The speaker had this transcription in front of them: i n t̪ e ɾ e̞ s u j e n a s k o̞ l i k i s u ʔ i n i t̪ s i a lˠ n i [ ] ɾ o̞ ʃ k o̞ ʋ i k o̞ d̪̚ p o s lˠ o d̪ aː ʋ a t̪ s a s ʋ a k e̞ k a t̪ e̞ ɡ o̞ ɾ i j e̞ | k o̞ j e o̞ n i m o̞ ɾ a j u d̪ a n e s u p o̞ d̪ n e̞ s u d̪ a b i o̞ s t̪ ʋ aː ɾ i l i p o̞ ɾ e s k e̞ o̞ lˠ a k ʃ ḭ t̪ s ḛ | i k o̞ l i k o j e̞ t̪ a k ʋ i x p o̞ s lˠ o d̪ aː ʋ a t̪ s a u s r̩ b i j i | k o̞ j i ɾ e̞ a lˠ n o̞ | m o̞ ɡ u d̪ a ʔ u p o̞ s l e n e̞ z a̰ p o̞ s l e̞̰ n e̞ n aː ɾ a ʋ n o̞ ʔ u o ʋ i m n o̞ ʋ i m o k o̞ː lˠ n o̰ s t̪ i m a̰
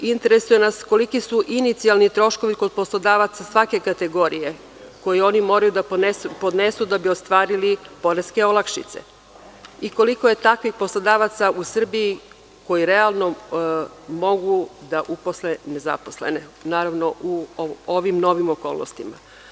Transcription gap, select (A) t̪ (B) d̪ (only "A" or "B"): A